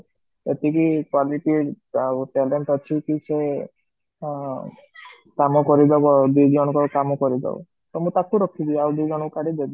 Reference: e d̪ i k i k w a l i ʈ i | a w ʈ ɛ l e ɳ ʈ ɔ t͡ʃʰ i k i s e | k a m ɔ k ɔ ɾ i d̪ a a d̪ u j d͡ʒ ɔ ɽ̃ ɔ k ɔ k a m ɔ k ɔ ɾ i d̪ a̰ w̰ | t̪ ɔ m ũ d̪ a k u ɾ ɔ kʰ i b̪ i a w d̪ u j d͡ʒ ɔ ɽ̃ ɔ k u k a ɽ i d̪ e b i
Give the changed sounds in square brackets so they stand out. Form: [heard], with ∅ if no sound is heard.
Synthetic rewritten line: e [t̪] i k i k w a l i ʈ i | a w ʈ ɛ l e ɳ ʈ ɔ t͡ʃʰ i k i s e | k a m ɔ k ɔ ɾ i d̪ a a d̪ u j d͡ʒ ɔ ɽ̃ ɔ k ɔ k a m ɔ k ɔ ɾ i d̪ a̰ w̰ | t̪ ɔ m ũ [t̪] a k u ɾ ɔ kʰ i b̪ i a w d̪ u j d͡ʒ ɔ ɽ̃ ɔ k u k a ɽ i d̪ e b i

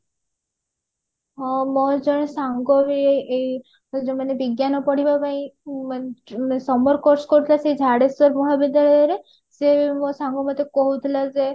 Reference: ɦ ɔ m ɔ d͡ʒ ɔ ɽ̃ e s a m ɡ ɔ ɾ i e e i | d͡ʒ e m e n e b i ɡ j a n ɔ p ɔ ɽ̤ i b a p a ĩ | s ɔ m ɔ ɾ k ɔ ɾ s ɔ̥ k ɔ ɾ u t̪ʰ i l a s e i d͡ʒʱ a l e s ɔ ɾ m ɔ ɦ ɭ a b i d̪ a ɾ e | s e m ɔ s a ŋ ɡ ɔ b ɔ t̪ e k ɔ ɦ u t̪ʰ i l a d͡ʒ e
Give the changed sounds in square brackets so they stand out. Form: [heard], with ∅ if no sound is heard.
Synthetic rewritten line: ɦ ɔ m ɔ d͡ʒ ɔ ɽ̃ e s a [ŋ] ɡ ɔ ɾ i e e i | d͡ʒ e m [a] n e b i ɡ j a n ɔ p ɔ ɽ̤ i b a p a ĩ | s ɔ m ɔ ɾ k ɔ ɾ s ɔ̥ k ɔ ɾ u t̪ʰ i l a s e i d͡ʒʱ a [ɽ] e s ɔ ɾ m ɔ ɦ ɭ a b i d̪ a ɾ e | s e m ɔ s a ŋ ɡ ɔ [m] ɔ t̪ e k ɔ ɦ u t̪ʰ i l a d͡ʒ e

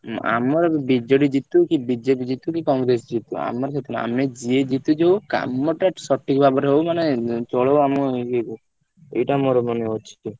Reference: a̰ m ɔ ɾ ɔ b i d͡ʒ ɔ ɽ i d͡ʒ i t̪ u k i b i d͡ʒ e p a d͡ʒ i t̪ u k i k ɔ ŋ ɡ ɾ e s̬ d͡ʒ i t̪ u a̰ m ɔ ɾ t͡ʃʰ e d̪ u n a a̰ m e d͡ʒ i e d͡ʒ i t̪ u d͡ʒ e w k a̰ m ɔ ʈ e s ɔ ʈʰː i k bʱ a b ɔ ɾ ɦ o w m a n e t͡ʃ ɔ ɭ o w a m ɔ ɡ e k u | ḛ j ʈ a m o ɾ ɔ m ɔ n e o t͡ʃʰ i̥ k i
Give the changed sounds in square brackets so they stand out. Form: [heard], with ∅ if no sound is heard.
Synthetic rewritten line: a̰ m ɔ ɾ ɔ b i d͡ʒ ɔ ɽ i d͡ʒ i t̪ u k i b i d͡ʒ e p [i] d͡ʒ i t̪ u k i k ɔ ŋ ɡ ɾ e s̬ d͡ʒ i t̪ u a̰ m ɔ ɾ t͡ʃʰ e [t̪] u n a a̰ m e d͡ʒ i e d͡ʒ i t̪ u d͡ʒ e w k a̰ m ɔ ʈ [a] s ɔ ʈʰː i k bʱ a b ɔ ɾ ɦ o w m a n e t͡ʃ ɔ ɭ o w a m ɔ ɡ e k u | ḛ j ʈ a m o ɾ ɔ m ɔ n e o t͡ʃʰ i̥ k i

